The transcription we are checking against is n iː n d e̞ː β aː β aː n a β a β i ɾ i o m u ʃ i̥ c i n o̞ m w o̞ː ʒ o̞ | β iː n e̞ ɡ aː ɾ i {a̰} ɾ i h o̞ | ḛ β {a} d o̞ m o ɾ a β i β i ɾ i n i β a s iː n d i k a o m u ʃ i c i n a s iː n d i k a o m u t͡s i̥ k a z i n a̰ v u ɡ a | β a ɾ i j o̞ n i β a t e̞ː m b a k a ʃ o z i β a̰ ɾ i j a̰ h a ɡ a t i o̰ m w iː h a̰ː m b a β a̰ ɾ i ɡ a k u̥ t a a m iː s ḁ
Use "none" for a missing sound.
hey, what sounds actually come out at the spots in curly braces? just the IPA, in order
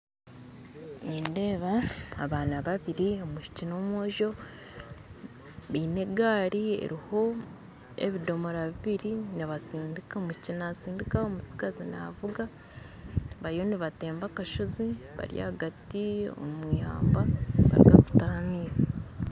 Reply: ḛ, i

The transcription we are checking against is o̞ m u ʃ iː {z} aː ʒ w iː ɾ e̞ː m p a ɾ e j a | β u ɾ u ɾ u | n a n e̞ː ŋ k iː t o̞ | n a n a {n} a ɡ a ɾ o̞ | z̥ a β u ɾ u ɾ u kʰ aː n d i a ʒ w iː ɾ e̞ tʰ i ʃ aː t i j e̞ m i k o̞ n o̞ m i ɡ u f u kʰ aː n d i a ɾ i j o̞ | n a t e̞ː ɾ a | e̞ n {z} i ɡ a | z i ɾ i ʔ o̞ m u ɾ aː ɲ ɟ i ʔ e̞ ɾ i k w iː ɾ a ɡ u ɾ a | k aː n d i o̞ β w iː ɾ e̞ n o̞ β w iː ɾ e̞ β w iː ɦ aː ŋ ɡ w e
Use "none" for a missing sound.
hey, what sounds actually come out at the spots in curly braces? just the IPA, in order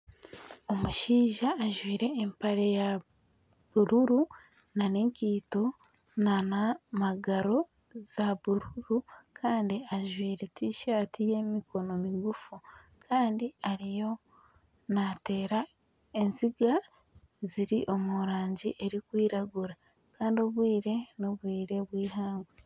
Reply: ʒ, m, z

